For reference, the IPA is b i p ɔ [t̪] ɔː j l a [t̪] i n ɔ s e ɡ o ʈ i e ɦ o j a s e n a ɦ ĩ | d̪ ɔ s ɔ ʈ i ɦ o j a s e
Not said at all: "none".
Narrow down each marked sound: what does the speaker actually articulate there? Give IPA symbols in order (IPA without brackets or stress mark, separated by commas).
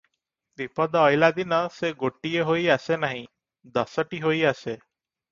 d̪, d̪